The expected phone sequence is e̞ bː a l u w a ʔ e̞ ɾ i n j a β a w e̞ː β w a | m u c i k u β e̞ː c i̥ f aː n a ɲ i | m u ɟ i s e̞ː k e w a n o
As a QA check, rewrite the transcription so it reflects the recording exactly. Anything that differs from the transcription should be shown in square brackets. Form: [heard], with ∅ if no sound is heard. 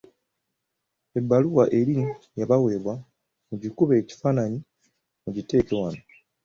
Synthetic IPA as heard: e̞ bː a l u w a ʔ e̞ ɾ i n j a β a w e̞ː β w a | m u [ɟ] i k u β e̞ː c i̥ f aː n a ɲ i | m u ɟ i [t] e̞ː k e w a n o